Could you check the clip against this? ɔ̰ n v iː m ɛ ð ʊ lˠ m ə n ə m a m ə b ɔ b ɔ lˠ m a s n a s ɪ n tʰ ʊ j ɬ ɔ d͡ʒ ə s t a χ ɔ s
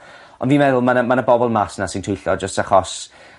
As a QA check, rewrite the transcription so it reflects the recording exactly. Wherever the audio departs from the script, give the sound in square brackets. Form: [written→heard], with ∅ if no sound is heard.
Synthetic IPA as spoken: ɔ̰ n v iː m ɛ ð ʊ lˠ m [ə→a] n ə m a [m→n] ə b ɔ b ɔ lˠ m a s n a s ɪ n tʰ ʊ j ɬ ɔ d͡ʒ ə s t a χ ɔ s